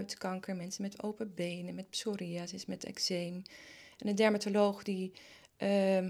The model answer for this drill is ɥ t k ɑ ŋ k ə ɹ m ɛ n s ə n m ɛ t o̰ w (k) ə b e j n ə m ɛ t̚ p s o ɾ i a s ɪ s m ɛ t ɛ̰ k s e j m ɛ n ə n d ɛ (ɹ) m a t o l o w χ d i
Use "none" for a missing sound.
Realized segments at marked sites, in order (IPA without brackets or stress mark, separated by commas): p, ɹ